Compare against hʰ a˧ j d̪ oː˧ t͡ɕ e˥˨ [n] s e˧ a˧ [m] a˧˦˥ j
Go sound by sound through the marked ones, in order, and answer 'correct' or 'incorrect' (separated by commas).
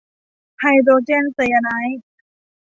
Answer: correct, incorrect